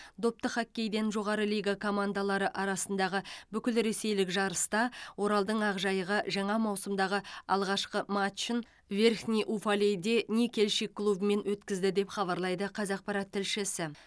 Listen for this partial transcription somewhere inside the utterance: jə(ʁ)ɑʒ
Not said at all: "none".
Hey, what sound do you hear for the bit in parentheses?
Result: ʁ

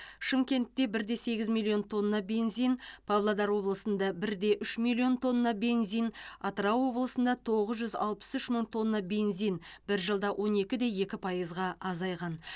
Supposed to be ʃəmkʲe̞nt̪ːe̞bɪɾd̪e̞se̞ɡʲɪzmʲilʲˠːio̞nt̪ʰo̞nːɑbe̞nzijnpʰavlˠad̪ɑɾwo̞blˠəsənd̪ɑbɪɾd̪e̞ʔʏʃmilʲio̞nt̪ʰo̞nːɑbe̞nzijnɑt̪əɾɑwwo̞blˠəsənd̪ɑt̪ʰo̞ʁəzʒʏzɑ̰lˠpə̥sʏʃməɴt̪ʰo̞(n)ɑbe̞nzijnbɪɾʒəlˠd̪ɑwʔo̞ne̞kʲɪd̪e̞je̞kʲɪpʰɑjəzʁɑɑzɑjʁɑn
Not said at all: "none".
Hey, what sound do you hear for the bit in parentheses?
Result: nː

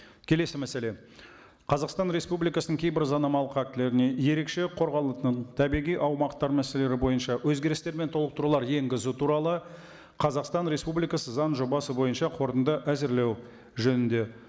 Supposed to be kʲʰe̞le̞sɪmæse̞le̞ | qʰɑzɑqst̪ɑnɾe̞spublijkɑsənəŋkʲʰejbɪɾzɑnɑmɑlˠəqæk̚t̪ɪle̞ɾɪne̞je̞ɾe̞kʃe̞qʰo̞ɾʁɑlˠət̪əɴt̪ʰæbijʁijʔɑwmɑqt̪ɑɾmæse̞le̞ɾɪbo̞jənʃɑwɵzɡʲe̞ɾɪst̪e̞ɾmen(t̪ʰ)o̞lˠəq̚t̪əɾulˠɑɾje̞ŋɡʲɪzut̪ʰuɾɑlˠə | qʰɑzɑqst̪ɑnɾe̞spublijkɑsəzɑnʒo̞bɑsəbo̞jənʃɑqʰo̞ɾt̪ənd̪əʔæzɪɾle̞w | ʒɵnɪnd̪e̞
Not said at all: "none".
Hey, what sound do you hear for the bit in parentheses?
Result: t̪ʰ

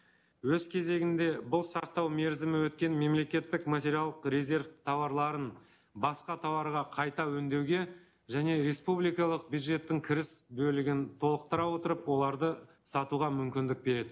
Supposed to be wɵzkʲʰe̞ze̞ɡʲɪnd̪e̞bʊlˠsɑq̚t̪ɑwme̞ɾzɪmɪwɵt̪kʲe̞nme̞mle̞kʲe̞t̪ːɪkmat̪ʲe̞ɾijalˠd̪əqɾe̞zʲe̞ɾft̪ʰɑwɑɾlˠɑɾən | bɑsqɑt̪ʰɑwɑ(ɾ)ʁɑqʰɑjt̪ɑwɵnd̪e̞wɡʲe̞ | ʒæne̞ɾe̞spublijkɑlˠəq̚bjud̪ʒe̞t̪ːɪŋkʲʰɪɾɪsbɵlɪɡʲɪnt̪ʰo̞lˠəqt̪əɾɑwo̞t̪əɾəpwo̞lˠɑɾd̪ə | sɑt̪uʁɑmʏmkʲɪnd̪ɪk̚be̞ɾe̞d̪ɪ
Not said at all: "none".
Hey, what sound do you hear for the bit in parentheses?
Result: ɾ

